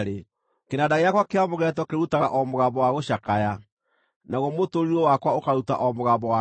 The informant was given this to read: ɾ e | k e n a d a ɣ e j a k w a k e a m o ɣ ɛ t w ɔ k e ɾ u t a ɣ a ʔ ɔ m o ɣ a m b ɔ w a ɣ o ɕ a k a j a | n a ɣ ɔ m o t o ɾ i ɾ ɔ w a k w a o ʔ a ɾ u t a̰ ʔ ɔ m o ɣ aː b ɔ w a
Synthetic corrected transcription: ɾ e | k e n a d a ɣ e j a k w a k e a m o ɣ ɛ t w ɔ k e ɾ u t a ɣ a ʔ ɔ m o ɣ a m b ɔ w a ɣ o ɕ a k a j a | n a ɣ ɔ m o t o ɾ i ɾ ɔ w a k w a o k a ɾ u t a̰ ʔ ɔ m o ɣ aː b ɔ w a